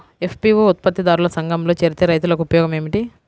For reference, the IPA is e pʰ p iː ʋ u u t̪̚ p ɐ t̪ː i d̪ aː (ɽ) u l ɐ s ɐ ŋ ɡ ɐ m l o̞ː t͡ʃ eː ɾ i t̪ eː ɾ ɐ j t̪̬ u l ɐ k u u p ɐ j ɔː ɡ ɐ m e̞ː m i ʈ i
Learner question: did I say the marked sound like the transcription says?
no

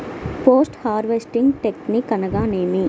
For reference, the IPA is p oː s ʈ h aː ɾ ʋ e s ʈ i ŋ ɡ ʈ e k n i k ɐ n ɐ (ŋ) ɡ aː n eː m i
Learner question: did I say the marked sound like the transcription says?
no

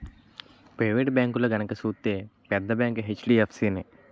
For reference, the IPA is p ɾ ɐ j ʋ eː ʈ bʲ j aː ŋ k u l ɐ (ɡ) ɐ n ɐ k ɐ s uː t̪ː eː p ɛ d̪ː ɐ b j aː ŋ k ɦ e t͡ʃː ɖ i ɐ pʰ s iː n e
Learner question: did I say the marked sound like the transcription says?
yes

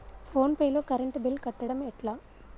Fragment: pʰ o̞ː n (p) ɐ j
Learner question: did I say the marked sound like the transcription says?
yes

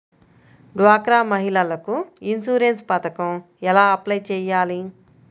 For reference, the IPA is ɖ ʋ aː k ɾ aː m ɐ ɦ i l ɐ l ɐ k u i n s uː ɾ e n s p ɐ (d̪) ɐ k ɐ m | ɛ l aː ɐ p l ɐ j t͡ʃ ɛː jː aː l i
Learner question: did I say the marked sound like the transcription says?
no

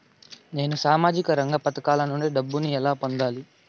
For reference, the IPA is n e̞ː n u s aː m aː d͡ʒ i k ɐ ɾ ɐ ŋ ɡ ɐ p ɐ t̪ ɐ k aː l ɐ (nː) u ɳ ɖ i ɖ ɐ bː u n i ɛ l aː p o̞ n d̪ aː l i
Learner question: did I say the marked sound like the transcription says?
no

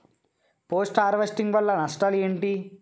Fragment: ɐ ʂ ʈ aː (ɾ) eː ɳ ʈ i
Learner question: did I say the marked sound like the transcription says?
no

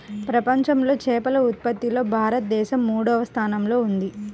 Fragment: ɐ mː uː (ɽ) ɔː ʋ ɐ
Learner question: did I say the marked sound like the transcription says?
yes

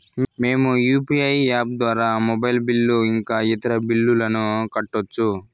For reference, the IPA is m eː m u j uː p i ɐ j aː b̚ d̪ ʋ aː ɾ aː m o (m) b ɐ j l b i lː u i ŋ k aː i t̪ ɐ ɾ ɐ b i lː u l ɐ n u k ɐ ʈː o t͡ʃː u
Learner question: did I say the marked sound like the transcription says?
no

